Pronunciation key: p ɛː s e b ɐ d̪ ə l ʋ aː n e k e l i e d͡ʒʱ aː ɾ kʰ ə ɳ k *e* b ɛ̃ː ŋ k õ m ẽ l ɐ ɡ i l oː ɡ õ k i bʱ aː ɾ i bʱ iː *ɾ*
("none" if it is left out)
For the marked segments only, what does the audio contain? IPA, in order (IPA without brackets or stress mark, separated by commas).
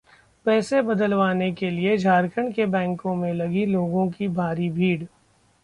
e, ɽ